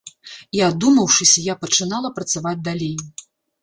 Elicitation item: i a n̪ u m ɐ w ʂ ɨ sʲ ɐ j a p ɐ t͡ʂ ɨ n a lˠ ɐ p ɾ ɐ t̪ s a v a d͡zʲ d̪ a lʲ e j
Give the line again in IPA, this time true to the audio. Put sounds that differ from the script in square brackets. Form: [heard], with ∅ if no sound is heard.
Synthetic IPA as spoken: i a [d̪] u m ɐ w ʂ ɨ sʲ ɐ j a p ɐ t͡ʂ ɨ n a lˠ ɐ p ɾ ɐ t̪ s a v a d͡zʲ d̪ a lʲ e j